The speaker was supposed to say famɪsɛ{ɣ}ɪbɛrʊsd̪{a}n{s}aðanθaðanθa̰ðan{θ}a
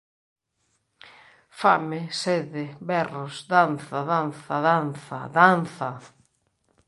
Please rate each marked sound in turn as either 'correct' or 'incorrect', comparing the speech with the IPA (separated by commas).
incorrect, correct, incorrect, correct